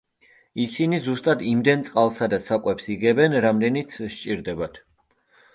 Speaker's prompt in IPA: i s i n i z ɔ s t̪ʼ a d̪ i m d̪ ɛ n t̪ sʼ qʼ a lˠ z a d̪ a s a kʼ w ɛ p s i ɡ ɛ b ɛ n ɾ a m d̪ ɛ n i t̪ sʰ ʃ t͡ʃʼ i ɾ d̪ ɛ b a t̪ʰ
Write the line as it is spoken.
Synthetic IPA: i s i n i z u s t̪ʼ a d̪ i m d̪ ɛ n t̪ sʼ qʼ a lˠ s a d̪ a s a kʼ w ɛ p s i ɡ ɛ b ɛ n ɾ a m d̪ ɛ n i t̪ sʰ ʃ t͡ʃʼ i ɾ d̪ ɛ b a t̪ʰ